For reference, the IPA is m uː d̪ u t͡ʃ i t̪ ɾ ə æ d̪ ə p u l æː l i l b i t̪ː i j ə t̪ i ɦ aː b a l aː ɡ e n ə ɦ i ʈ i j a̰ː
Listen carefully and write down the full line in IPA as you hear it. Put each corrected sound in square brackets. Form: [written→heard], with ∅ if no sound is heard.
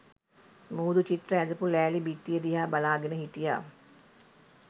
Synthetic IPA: m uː d̪ u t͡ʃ i t̪ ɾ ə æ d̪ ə p u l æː l i [l→∅] b i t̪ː i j ə [t̪→d̪] i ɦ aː b a l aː ɡ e n ə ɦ i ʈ i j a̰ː